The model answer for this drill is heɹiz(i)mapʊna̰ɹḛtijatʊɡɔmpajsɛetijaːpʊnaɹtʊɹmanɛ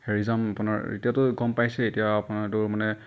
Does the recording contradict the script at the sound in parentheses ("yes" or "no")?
yes